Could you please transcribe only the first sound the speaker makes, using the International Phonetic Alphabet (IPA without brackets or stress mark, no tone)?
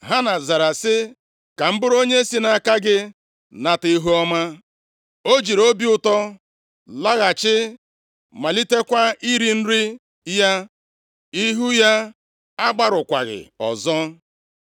ɦ